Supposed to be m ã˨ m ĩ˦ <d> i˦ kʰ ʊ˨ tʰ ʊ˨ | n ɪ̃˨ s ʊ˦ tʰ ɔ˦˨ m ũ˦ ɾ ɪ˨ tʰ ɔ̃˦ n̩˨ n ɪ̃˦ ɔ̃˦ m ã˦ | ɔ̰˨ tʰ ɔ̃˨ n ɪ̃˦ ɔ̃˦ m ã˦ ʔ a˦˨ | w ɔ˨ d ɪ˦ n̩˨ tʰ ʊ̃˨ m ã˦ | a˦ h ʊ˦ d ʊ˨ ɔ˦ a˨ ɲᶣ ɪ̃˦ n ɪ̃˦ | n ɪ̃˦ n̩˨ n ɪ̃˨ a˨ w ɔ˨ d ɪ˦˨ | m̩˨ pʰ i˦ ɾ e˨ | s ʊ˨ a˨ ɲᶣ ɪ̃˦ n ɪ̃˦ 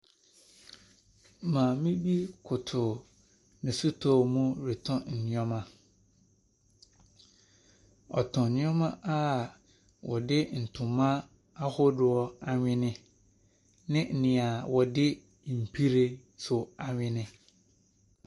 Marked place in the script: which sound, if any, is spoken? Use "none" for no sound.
b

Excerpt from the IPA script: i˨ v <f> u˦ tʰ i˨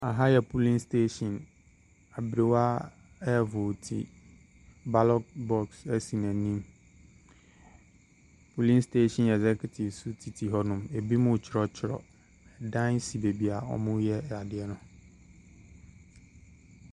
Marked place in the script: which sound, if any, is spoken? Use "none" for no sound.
s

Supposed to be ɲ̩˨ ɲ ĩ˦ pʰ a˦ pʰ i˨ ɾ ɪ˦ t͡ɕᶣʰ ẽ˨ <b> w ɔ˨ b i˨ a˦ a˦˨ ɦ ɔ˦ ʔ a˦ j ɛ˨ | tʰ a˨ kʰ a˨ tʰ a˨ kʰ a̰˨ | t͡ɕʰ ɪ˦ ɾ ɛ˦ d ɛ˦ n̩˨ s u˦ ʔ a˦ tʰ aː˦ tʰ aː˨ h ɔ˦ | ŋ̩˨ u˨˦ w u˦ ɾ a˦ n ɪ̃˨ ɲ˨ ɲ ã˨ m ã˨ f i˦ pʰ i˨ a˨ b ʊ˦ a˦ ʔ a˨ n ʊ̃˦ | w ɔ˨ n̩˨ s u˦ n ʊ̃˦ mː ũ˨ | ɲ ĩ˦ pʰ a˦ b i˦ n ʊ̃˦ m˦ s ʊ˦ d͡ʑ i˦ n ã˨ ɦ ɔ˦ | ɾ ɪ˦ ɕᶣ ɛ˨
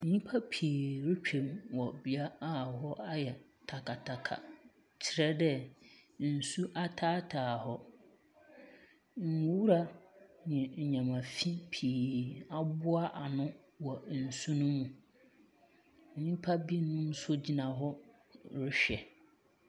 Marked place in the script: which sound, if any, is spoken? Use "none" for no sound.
m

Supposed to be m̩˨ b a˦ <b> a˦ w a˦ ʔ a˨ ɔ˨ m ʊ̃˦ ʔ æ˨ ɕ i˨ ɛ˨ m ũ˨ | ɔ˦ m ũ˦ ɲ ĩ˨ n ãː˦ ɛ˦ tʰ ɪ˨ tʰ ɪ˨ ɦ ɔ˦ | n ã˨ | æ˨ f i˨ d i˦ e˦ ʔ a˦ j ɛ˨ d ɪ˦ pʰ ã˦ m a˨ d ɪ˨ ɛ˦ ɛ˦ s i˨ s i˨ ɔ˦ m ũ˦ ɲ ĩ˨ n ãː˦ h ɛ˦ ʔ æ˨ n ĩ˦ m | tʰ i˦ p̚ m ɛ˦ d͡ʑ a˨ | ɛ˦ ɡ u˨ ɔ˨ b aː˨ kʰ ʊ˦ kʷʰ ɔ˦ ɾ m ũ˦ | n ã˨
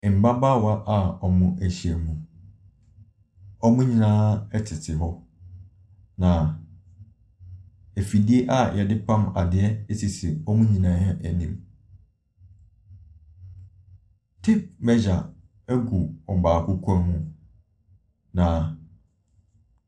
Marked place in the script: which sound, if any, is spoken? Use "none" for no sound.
b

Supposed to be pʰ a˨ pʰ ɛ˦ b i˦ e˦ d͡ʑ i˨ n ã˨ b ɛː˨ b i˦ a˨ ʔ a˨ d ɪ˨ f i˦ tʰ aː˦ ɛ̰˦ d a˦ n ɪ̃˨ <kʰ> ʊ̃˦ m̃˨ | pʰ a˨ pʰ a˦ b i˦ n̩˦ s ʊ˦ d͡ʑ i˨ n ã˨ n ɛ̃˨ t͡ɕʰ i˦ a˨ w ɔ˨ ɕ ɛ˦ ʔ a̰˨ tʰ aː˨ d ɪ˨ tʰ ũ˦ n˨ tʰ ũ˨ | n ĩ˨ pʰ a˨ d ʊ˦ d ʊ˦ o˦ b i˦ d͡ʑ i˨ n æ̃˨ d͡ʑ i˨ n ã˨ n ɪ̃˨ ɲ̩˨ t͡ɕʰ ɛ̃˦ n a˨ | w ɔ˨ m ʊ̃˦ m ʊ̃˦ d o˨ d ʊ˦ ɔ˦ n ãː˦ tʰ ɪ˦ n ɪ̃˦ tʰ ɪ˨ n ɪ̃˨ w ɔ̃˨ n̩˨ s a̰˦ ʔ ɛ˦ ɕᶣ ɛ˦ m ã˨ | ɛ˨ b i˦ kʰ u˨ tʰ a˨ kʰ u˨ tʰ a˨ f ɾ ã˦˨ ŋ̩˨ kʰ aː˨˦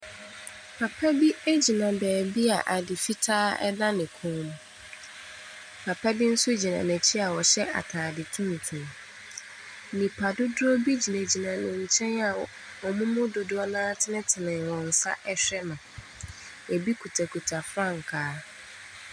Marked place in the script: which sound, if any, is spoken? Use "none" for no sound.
kʰ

